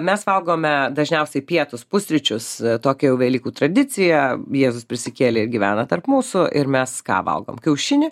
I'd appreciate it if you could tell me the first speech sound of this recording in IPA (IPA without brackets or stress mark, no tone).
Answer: mʲ